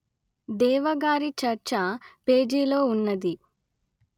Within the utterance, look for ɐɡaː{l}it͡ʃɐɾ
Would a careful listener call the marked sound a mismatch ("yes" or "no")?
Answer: yes